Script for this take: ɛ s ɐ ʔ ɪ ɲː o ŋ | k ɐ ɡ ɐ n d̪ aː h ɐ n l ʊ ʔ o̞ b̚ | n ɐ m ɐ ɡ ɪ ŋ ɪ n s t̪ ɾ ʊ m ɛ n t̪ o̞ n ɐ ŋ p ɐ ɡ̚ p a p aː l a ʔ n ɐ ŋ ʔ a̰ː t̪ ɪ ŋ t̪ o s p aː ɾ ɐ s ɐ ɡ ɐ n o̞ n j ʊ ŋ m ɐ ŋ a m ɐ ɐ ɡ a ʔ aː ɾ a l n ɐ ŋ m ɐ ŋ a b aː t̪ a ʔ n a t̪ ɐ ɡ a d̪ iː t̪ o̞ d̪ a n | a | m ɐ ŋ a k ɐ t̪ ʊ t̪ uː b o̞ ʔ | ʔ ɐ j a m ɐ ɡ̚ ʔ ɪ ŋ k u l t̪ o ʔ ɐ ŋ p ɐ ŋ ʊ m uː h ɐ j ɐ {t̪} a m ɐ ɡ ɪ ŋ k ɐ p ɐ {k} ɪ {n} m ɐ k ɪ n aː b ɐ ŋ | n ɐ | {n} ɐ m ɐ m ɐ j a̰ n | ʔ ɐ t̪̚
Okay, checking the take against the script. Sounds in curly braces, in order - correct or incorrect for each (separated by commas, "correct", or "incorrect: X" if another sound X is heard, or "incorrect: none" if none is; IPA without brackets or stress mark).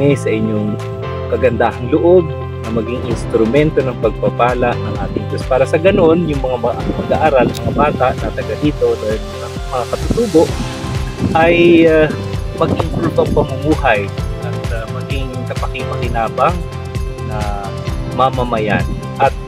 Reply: correct, correct, incorrect: ŋ, incorrect: m